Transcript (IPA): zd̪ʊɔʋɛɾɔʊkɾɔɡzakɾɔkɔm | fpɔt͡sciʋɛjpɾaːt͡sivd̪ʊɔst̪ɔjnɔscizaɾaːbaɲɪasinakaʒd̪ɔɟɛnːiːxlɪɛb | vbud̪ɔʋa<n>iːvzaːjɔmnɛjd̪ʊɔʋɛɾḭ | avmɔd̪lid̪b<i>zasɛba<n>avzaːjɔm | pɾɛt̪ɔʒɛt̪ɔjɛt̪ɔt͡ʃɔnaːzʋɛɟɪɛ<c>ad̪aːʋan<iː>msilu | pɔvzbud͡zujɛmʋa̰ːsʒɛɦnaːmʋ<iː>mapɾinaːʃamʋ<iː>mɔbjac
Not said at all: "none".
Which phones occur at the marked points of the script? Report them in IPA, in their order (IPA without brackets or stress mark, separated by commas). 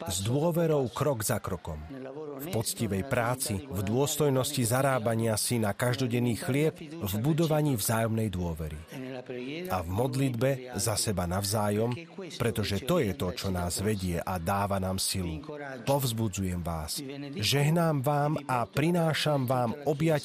ɲ, ɛ, n, ʔ, aː, aː, aː